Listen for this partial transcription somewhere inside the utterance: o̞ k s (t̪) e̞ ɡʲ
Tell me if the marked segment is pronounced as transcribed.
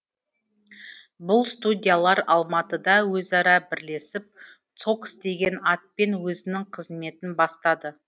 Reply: no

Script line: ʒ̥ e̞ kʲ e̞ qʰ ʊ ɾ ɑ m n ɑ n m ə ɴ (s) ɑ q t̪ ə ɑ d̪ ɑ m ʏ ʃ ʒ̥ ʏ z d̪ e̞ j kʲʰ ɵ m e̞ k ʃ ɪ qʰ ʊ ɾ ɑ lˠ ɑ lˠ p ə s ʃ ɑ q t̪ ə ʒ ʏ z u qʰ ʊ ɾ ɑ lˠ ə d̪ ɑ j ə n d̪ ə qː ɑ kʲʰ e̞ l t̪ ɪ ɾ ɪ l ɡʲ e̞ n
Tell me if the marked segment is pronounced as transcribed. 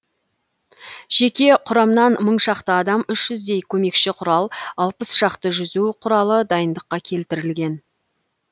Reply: no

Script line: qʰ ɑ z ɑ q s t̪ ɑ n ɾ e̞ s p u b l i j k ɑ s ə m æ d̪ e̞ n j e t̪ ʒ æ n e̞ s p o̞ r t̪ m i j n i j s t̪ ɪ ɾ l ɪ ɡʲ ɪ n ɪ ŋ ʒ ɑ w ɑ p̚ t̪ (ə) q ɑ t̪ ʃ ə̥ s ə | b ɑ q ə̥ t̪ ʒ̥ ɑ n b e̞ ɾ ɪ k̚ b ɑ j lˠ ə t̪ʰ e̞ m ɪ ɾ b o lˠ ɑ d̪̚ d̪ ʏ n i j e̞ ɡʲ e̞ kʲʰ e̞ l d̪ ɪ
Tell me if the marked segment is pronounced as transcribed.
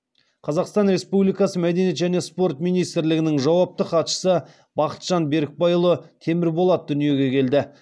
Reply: yes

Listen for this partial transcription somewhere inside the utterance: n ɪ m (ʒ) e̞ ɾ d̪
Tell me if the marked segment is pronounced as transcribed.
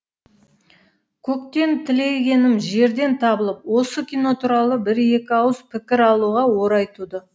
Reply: yes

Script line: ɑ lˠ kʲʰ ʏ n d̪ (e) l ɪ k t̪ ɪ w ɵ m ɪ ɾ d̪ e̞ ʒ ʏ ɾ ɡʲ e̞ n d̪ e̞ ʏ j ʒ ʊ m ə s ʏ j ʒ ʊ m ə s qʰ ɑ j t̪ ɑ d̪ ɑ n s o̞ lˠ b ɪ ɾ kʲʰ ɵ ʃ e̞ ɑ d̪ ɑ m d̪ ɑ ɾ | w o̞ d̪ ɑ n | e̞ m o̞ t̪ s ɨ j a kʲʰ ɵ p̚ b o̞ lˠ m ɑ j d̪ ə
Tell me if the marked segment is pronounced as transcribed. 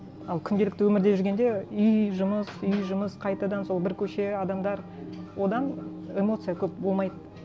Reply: yes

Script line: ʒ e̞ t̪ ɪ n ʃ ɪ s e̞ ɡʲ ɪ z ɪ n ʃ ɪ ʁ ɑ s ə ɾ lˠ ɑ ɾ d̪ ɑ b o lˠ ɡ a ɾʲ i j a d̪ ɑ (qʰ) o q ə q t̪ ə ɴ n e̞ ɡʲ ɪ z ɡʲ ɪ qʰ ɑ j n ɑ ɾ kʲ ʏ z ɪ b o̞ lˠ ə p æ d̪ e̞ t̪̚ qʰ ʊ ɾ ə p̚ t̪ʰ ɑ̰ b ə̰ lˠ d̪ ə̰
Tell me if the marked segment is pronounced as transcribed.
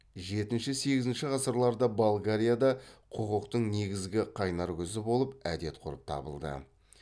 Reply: yes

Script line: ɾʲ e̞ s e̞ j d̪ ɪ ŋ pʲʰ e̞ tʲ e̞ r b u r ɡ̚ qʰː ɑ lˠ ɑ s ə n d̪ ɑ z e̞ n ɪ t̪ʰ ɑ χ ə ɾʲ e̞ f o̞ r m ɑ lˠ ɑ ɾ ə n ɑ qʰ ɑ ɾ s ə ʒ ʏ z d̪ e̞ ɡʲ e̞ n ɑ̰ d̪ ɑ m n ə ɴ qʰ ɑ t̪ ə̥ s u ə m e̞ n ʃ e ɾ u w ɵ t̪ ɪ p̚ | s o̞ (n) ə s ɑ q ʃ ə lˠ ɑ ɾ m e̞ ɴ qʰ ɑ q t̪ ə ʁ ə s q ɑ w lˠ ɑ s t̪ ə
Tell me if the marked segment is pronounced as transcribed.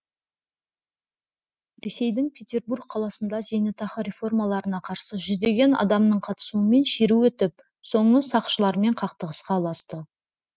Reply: no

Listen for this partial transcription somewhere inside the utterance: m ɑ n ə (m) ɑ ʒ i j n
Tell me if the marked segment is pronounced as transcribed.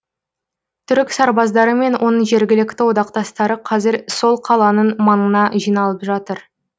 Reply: no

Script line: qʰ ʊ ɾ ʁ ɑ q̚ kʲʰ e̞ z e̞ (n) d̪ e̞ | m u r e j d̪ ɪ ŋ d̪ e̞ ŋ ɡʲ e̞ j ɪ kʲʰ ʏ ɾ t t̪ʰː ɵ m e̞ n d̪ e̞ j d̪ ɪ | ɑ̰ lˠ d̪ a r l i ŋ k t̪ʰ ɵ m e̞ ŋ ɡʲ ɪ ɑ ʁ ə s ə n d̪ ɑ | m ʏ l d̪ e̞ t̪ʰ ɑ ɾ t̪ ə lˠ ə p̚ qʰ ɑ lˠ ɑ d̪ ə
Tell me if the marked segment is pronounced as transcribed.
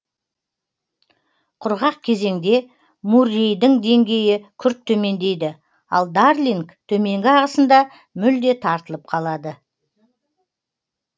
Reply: no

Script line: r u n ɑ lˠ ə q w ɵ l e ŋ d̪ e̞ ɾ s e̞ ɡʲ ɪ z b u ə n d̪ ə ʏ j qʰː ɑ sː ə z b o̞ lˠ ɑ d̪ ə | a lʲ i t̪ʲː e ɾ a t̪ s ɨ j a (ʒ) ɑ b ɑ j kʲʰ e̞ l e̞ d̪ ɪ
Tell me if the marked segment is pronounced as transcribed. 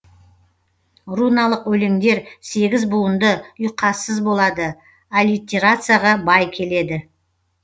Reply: no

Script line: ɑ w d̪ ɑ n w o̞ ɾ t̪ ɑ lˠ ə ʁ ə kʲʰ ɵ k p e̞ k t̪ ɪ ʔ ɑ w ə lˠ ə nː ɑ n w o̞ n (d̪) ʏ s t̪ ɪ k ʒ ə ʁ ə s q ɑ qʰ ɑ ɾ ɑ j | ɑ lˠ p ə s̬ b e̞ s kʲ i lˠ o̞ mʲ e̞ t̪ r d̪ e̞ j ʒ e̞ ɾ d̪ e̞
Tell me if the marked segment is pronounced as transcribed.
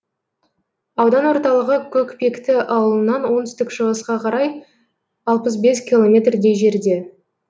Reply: no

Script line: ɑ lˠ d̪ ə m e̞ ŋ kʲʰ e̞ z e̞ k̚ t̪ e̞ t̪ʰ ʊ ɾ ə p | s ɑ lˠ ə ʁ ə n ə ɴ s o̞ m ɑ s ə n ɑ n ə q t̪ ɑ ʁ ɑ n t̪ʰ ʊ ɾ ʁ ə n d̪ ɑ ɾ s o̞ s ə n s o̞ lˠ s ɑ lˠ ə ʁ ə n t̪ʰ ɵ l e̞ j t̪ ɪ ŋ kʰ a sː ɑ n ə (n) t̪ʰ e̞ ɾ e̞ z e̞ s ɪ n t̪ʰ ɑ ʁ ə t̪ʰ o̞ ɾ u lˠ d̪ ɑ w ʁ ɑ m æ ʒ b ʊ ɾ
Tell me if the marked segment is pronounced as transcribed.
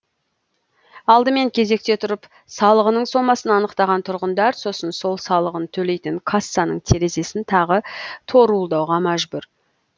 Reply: no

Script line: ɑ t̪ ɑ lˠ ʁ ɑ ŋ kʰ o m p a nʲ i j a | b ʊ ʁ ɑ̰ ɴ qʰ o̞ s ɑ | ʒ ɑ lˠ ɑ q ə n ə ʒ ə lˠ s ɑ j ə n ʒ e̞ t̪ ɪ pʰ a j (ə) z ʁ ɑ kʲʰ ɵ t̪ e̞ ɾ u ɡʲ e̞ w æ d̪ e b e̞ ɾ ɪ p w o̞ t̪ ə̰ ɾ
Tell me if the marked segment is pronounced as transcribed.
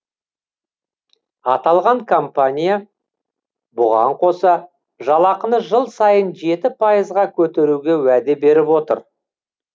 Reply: yes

